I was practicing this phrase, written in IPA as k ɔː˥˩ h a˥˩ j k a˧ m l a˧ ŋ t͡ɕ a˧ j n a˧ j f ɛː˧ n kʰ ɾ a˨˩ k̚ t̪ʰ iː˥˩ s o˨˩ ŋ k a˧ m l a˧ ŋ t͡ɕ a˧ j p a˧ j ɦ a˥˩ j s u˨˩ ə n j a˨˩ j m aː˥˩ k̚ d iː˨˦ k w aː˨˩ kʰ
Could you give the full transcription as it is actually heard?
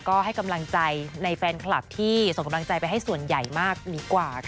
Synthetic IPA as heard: k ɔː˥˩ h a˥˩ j k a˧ m l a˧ ŋ t͡ɕ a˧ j n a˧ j f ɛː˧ n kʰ l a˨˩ p̚ t̪ʰ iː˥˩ s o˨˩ ŋ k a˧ m l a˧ ŋ t͡ɕ a˧ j p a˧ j ɦ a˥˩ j s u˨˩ ə n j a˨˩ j m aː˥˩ k̚ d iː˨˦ k w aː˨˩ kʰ